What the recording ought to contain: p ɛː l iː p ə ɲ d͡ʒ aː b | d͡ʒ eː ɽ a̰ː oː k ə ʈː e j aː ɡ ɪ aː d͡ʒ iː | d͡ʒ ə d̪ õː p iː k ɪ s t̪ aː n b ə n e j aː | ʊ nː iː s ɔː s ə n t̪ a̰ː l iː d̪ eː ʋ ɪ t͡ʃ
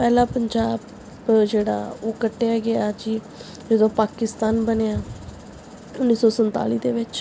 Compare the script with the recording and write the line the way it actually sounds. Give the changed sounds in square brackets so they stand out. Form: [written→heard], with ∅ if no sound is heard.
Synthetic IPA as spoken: p ɛː l [iː→aː] p ə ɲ d͡ʒ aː b | d͡ʒ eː ɽ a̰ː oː k ə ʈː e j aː ɡ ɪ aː d͡ʒ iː | d͡ʒ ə d̪ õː p [iː→aː] k ɪ s t̪ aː n b ə n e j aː | ʊ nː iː s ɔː s ə n t̪ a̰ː l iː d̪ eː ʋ ɪ t͡ʃ